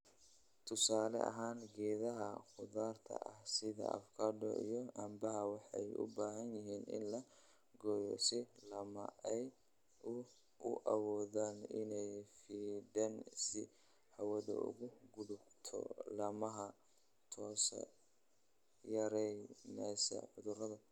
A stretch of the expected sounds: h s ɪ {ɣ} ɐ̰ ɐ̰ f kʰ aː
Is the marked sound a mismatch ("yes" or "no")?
yes